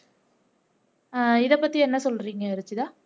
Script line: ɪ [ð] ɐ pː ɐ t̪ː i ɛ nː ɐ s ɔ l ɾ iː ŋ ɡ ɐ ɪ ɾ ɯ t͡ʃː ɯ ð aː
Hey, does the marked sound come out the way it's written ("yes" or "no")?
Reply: yes